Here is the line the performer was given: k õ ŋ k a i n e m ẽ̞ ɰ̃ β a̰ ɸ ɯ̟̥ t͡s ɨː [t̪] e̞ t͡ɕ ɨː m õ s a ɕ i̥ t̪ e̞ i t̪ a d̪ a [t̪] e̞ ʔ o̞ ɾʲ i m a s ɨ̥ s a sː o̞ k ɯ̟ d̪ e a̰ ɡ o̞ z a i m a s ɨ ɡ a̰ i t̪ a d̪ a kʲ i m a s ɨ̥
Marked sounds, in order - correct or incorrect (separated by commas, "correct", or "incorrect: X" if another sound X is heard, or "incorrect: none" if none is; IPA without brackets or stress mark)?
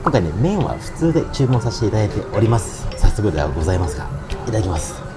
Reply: incorrect: d̪, correct